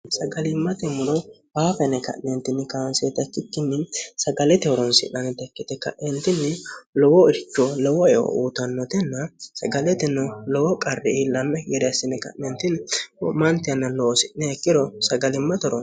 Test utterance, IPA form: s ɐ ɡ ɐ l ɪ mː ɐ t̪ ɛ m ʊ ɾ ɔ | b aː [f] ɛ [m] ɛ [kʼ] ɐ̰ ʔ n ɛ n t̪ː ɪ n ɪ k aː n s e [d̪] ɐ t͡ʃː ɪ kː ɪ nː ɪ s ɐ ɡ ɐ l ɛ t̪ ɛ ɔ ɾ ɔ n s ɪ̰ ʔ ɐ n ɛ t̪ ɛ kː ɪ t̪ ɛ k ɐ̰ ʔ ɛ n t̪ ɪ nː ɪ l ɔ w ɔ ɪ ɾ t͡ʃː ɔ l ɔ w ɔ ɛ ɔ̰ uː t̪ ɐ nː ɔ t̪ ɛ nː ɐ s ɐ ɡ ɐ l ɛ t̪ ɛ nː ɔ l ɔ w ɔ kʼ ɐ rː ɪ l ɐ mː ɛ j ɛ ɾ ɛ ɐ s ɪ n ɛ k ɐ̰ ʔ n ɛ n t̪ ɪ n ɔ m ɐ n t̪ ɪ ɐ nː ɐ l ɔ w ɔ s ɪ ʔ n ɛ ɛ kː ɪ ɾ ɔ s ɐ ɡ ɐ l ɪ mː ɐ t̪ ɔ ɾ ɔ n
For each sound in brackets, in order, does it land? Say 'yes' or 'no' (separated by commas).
yes, no, no, no